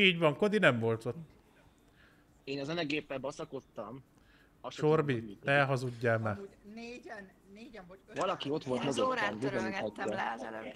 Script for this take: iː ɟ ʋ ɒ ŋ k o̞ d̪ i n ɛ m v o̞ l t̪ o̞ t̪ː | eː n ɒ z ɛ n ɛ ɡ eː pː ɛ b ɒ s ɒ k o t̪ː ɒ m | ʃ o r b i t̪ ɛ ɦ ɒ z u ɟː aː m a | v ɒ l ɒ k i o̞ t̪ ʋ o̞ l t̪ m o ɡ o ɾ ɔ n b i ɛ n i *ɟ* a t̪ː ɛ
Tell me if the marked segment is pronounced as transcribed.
no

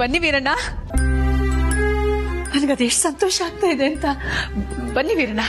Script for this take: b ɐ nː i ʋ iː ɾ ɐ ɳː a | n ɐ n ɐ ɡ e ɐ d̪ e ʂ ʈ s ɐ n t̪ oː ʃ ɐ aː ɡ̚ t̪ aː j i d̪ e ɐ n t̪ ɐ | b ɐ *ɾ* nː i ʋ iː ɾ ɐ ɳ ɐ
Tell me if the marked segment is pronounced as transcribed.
no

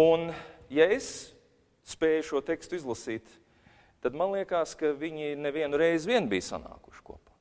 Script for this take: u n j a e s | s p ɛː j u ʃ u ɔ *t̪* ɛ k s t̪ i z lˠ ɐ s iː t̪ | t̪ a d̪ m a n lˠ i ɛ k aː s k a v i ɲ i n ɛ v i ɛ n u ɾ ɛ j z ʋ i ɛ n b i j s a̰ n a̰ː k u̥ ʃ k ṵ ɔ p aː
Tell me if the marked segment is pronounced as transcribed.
yes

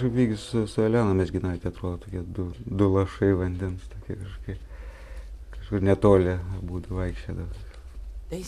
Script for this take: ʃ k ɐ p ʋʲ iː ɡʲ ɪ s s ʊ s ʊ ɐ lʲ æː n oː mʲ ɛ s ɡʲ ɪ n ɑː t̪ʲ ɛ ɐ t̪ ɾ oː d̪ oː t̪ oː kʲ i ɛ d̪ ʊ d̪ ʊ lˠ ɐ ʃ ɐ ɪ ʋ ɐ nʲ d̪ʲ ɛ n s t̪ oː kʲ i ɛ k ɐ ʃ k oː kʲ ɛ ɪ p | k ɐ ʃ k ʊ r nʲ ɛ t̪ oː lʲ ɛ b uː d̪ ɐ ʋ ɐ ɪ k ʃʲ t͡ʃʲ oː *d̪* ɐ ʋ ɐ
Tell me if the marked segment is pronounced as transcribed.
yes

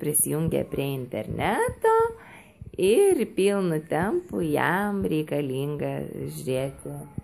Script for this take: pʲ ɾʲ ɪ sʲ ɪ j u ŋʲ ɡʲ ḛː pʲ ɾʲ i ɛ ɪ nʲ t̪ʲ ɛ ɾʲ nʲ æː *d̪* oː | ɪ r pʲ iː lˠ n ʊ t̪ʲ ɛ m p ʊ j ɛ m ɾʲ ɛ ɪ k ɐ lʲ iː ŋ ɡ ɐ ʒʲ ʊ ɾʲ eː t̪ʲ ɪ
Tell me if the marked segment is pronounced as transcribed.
no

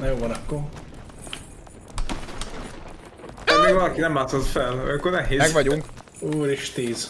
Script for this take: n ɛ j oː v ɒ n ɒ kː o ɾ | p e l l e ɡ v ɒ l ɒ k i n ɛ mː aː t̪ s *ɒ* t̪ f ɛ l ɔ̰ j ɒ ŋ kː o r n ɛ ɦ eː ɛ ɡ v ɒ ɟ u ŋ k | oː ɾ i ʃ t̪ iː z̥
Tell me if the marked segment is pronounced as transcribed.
no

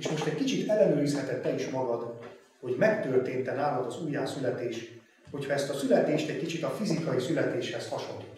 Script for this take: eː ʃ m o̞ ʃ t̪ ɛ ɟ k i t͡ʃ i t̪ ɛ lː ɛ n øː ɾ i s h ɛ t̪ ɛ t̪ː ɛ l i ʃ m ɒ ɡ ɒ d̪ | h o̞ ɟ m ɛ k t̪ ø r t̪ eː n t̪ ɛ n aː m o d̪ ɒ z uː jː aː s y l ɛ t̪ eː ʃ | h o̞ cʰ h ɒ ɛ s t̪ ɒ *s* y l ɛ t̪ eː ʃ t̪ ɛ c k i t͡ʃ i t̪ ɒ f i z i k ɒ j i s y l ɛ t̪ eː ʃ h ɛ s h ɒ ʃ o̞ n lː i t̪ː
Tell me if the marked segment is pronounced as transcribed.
yes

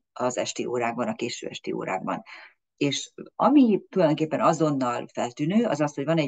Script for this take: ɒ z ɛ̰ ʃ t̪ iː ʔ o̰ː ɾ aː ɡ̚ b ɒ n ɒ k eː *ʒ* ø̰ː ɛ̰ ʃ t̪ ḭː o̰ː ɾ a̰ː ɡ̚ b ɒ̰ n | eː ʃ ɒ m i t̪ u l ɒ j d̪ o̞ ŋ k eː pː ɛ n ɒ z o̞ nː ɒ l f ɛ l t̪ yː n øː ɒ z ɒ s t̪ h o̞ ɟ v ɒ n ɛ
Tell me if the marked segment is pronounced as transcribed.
no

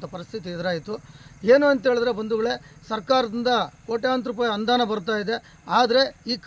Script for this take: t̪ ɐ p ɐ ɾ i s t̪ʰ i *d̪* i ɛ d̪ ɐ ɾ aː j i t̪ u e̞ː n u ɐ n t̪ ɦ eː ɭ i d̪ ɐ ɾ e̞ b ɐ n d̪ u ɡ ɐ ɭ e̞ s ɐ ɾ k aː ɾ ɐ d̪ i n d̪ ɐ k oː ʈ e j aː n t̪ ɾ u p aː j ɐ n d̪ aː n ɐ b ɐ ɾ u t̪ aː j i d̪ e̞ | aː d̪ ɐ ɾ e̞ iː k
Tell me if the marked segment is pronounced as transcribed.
no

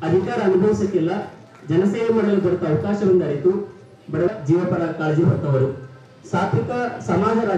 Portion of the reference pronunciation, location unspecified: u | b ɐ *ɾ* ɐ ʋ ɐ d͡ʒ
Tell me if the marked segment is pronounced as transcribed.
no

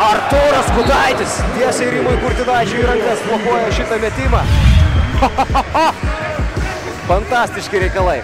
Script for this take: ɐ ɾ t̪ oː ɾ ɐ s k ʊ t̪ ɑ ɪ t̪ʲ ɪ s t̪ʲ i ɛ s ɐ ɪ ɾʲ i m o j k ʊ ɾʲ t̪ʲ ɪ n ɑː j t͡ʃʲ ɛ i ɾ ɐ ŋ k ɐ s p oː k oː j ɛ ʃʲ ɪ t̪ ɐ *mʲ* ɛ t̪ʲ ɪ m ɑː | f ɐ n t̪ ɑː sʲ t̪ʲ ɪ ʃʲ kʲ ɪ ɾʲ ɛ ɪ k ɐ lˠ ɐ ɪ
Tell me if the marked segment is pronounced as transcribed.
yes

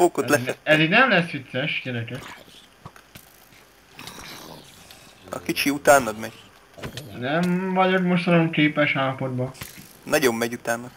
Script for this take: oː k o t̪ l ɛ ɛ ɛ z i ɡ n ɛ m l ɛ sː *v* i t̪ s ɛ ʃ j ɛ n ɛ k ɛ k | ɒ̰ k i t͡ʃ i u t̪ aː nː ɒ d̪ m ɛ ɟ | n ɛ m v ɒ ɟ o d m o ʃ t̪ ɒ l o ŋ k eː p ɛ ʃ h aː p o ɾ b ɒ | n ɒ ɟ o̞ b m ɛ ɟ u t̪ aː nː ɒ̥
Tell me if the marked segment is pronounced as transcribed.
no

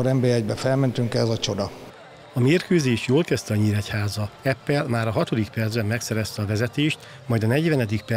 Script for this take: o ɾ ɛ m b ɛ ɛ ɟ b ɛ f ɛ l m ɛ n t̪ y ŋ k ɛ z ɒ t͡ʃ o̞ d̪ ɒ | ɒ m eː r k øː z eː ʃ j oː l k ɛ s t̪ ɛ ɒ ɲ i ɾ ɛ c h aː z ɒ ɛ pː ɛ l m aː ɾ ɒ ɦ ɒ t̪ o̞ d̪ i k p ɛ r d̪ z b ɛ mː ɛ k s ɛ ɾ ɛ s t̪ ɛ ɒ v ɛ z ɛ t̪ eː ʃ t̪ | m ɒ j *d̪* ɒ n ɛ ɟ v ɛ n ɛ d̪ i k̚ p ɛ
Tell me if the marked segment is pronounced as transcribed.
yes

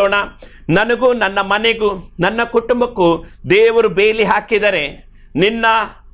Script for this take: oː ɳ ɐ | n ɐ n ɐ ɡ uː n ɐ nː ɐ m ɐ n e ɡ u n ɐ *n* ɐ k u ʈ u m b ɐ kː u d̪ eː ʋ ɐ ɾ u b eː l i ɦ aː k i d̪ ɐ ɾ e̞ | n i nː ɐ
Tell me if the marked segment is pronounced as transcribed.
no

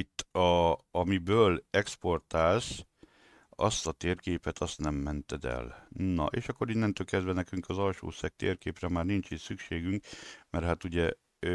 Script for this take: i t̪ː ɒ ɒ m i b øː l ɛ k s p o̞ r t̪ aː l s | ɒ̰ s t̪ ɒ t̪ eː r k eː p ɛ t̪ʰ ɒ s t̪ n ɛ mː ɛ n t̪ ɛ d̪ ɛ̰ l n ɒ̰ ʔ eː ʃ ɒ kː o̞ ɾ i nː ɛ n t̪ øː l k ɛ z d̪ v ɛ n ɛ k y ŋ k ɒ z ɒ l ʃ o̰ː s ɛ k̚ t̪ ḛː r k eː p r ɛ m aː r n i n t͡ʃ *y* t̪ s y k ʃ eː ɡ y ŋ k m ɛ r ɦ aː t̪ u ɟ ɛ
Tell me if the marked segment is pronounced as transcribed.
no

